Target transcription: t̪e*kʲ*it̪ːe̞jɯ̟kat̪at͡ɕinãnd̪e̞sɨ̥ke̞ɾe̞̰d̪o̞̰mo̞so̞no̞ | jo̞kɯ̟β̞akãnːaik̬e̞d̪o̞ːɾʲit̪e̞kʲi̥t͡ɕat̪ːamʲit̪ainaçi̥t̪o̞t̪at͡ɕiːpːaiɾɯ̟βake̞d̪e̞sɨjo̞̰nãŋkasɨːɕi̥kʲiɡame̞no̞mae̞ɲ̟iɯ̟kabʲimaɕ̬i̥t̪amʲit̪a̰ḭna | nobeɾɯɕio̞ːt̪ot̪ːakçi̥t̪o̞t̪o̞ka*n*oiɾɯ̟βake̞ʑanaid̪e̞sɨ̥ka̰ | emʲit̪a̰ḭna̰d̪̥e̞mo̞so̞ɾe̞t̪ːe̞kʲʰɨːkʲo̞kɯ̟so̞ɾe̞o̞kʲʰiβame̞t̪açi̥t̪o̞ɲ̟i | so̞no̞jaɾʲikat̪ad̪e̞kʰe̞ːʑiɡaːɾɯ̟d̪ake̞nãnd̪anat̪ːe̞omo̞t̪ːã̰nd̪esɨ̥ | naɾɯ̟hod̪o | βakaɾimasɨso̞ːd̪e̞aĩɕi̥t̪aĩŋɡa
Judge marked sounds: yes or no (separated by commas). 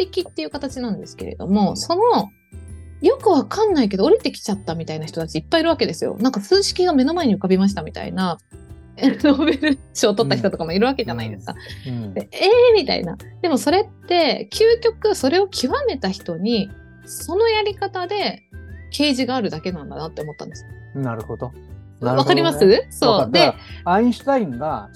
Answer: yes, no